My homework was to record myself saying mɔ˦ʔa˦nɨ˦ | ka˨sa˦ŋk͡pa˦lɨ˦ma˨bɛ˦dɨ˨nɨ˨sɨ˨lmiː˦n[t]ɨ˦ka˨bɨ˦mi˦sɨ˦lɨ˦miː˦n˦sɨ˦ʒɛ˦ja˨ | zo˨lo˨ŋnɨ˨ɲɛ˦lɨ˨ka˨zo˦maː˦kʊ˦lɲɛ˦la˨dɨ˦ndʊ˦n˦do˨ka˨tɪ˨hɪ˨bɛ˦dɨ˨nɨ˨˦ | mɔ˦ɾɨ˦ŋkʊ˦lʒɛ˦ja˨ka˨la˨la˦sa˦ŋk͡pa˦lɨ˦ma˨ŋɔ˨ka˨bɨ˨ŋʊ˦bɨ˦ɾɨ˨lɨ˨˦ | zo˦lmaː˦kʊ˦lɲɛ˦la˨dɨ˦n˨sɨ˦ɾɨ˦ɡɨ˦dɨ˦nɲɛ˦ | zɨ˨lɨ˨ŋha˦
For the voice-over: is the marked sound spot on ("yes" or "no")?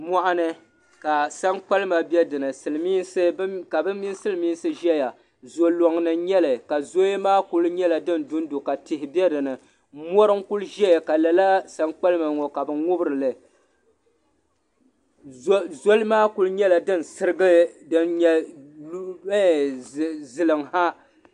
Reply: no